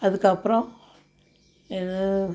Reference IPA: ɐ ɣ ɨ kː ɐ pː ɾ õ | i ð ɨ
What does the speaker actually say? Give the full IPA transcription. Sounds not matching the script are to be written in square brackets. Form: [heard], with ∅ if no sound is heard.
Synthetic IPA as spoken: ɐ [ð] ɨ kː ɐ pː ɾ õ | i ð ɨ

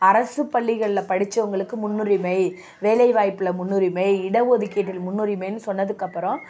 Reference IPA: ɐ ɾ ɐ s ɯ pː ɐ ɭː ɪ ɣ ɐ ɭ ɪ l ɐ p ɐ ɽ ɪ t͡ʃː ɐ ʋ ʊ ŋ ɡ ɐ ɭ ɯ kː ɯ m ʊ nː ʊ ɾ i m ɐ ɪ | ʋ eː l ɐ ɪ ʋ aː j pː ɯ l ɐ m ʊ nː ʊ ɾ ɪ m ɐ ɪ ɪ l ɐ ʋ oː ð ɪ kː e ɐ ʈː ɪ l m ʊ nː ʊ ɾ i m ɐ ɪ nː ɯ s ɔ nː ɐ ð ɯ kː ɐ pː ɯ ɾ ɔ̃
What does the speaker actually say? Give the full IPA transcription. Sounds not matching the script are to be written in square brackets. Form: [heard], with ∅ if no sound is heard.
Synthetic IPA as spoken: ɐ ɾ ɐ s ɯ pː ɐ ɭː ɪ ɣ ɐ ɭ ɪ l ɐ p ɐ ɽ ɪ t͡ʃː ɐ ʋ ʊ ŋ ɡ ɐ ɭ ɯ kː ɯ m ʊ nː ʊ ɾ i m ɐ ɪ | ʋ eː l ɐ ɪ ʋ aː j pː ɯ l ɐ m ʊ nː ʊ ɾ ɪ m ɐ ɪ ɪ [ɽ] ɐ ʋ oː ð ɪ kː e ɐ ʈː ɪ l m ʊ nː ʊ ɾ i m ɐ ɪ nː ɯ s ɔ nː ɐ ð ɯ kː ɐ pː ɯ ɾ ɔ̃

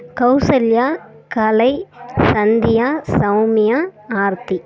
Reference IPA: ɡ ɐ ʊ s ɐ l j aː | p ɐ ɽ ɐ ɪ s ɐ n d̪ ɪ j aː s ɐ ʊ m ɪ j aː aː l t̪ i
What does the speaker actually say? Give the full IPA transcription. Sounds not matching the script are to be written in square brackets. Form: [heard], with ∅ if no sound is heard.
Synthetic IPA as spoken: [k] ɐ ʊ s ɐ l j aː | [k] ɐ [l] ɐ ɪ s ɐ n d̪ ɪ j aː s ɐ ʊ m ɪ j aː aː [ɾ] t̪ i

